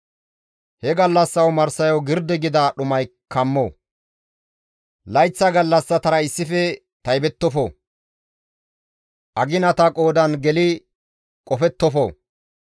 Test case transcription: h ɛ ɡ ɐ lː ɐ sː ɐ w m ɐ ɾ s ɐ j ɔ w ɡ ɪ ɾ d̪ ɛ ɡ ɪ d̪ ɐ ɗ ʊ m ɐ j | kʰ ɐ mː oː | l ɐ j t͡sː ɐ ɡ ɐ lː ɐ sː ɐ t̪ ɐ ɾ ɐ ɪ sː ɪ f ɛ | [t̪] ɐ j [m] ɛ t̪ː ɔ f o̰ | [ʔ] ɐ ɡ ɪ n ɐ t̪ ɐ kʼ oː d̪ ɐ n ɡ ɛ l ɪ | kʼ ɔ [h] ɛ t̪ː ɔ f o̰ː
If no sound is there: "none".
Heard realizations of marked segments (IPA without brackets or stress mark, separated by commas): t̪, b, ʔ, f